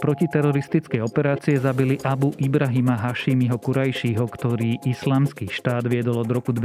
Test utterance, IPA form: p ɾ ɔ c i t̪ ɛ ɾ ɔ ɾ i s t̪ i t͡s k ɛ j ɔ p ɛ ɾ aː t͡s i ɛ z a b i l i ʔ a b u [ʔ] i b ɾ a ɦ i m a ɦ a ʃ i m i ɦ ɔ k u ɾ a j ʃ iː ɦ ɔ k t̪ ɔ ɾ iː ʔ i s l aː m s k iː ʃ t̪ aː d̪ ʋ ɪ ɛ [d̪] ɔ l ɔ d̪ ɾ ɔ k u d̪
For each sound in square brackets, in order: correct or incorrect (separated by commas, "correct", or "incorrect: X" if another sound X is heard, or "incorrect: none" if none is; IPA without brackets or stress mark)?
correct, correct